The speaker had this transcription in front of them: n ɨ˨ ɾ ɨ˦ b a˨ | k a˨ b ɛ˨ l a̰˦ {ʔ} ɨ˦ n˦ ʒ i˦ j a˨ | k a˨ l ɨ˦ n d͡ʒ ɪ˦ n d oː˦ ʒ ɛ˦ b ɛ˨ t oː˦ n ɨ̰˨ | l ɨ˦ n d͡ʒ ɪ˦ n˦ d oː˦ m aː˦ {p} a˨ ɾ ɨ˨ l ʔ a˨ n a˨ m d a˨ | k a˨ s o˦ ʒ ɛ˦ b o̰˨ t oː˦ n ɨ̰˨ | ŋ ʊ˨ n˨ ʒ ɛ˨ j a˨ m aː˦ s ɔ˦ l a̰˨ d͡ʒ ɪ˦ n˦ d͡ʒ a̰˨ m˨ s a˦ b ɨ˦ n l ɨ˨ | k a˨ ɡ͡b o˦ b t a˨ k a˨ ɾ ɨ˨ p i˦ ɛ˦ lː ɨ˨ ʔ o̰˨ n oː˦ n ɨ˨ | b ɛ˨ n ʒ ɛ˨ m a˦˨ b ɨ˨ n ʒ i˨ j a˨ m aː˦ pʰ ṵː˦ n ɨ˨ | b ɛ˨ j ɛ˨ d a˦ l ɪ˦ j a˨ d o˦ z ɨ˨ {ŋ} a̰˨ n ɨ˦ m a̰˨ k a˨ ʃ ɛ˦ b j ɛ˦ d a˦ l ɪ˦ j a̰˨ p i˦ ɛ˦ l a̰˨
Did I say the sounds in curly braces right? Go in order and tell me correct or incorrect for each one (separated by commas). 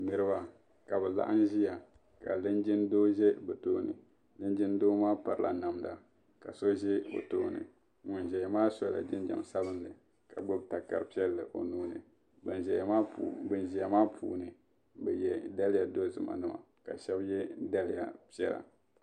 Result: correct, correct, incorrect